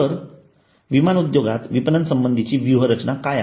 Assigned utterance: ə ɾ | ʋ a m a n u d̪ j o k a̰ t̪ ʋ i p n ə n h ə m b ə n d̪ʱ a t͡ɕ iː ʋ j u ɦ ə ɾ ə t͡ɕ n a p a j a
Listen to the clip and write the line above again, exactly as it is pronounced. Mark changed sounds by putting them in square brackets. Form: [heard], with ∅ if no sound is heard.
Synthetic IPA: ə ɾ | ʋ [i] m a n u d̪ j o [ɡ] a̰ t̪ ʋ i p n ə n [s] ə m b ə n d̪ʱ [i] t͡ɕ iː ʋ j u ɦ ə ɾ ə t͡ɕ n a [k] a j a